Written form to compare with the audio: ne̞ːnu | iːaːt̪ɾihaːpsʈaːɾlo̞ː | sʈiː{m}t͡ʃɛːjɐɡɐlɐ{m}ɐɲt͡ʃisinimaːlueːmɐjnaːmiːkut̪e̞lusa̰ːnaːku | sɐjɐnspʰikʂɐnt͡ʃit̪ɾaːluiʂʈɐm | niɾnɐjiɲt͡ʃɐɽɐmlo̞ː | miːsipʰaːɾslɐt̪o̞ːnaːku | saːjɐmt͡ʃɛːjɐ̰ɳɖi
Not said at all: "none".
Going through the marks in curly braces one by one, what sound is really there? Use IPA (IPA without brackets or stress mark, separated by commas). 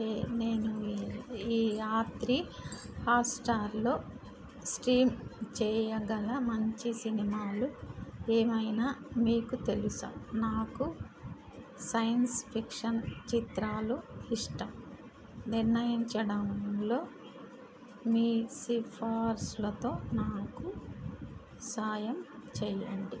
m, m